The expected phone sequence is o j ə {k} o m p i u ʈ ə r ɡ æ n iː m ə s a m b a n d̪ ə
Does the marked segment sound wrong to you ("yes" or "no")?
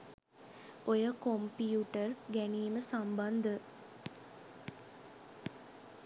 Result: no